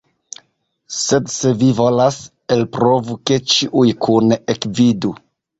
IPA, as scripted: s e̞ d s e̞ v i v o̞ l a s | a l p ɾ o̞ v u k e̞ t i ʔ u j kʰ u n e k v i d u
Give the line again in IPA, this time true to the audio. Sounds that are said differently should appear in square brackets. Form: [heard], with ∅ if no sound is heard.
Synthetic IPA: s e̞ d s e̞ v i v o̞ l a s | [e] l p ɾ o̞ v u k e̞ [t͡ʃ] i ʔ u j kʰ u n e k v i d u